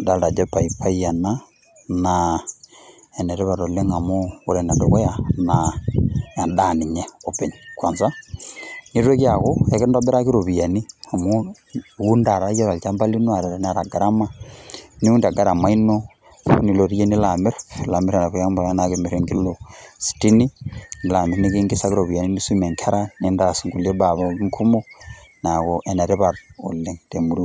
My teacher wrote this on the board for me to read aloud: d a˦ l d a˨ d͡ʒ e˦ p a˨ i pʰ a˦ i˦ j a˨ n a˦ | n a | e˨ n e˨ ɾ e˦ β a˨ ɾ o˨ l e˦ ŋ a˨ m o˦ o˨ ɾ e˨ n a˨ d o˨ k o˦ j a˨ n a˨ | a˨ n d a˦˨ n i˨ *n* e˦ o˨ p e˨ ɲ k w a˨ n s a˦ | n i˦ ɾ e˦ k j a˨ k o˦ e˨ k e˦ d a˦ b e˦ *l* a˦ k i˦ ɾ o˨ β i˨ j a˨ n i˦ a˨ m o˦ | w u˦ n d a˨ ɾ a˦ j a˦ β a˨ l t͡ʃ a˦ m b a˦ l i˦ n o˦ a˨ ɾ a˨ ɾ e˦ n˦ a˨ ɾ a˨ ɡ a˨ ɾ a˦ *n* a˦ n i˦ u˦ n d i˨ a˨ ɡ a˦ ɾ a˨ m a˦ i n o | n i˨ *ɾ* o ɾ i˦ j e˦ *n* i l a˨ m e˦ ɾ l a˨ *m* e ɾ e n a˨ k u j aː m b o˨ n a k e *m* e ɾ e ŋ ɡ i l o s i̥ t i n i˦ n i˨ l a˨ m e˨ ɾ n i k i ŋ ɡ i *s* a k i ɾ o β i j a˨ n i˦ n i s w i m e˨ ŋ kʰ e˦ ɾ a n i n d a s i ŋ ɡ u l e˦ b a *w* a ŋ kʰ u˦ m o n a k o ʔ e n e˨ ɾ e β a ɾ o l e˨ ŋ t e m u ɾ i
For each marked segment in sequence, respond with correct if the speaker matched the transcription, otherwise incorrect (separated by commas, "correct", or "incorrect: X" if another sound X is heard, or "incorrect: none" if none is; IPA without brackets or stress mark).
incorrect: ɲ, incorrect: ɾ, incorrect: m, incorrect: l, correct, correct, correct, correct, incorrect: β